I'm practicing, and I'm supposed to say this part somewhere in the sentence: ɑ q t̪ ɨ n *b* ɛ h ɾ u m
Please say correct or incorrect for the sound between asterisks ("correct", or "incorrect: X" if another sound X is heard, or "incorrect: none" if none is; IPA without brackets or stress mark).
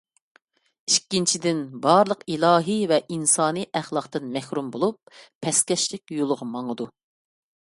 incorrect: m